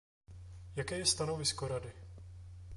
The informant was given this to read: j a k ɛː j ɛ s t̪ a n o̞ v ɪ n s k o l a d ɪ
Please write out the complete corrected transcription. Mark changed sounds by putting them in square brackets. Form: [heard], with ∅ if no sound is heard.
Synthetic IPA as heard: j a k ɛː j ɛ s t̪ a n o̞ v ɪ [∅] s k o [ɾ] a d ɪ